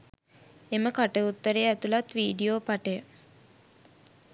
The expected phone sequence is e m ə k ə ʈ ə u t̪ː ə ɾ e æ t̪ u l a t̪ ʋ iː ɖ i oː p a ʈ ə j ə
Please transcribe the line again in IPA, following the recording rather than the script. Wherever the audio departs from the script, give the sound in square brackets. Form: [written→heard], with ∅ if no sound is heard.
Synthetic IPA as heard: e m ə k [ə→a] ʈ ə u t̪ː ə ɾ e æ t̪ u l a t̪ ʋ iː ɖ i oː p a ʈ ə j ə